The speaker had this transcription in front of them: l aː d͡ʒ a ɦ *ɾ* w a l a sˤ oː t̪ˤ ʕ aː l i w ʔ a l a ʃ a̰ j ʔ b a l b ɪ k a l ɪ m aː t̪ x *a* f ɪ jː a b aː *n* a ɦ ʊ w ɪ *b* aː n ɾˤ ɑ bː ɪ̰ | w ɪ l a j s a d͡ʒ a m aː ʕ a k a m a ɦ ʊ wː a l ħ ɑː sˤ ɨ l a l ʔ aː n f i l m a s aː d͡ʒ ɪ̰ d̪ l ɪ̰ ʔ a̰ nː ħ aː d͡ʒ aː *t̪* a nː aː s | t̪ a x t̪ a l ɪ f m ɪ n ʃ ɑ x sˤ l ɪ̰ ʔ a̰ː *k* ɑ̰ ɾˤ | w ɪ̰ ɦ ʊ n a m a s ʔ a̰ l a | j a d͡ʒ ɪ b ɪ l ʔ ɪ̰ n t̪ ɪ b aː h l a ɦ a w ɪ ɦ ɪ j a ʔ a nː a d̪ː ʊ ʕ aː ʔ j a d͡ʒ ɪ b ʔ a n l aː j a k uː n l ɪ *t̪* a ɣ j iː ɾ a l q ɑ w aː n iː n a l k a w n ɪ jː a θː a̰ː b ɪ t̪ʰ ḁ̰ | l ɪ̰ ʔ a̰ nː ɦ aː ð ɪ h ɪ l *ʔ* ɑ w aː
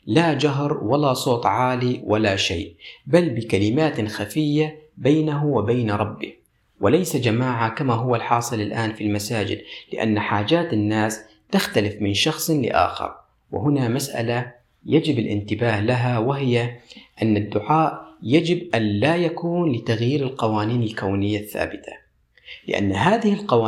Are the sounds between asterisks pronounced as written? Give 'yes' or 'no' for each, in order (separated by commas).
yes, yes, yes, yes, yes, no, yes, no